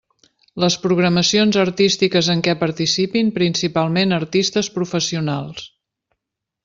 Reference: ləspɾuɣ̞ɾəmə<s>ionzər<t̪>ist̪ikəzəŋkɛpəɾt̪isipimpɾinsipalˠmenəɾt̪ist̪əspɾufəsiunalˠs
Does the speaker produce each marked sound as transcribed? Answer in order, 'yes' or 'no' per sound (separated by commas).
yes, yes